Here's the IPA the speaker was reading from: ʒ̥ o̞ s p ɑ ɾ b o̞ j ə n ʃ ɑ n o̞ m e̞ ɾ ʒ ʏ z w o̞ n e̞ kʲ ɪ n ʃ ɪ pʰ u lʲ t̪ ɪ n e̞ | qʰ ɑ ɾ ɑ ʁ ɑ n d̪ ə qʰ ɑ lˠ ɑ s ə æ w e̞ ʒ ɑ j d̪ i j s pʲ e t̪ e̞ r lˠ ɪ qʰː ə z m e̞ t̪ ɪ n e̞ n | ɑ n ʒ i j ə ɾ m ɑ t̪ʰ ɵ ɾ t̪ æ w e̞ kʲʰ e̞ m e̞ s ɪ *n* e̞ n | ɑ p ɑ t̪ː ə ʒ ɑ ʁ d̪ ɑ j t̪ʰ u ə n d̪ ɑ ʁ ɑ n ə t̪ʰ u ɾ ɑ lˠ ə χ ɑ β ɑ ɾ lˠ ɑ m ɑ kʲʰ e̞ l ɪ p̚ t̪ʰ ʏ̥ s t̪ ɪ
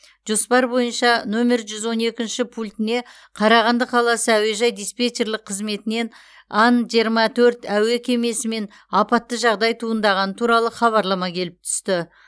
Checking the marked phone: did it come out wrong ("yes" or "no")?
yes